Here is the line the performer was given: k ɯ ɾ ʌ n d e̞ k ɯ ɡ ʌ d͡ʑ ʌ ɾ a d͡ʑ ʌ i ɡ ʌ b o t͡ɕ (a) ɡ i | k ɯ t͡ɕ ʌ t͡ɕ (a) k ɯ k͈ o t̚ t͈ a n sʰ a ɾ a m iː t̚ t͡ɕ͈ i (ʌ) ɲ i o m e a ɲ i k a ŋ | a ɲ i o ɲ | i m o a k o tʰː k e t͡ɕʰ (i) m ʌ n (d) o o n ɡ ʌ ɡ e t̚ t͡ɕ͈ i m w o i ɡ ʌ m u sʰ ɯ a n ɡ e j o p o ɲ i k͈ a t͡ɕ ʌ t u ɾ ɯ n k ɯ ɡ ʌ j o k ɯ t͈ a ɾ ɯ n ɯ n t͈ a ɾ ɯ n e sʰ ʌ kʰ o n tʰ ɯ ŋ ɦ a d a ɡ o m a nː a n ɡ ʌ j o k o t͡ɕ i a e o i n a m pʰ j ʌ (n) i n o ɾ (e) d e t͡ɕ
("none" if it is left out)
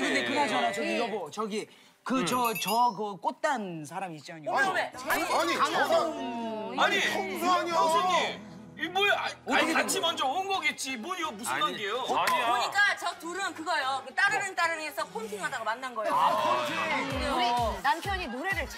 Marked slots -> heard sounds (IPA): ʌ, ʌ, a, i, d͡ʑ, ɲ, e

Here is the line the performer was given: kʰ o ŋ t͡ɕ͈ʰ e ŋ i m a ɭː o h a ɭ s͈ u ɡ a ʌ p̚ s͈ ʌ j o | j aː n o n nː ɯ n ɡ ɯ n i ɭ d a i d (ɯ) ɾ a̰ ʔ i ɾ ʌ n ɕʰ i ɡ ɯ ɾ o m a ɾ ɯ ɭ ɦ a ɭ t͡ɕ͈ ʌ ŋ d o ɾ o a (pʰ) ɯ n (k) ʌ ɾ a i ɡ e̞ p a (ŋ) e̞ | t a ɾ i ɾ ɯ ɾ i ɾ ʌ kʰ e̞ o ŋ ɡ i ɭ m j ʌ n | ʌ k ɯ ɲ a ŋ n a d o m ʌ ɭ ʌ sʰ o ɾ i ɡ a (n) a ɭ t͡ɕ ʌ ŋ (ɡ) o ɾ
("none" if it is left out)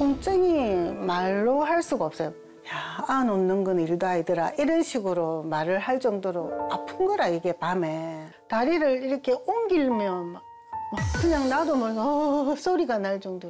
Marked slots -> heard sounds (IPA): ɯ, pʰ, ɡ, m, n, d

